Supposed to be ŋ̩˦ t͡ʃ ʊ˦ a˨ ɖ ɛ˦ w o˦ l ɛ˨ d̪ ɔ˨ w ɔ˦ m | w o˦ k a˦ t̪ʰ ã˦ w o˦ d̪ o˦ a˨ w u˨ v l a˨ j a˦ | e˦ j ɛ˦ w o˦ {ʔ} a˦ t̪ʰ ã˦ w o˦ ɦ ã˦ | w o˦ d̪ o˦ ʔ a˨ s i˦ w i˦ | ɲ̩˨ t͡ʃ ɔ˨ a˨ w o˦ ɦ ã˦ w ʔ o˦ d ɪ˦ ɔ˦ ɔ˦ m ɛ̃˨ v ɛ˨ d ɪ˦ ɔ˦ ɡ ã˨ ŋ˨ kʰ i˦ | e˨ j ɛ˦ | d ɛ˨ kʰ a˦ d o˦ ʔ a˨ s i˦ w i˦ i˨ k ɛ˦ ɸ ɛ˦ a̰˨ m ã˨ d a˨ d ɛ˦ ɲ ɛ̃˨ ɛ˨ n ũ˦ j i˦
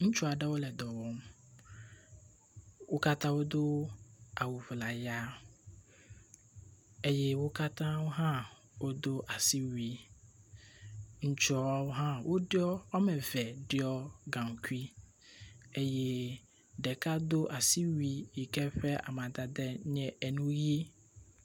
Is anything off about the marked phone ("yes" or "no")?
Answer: yes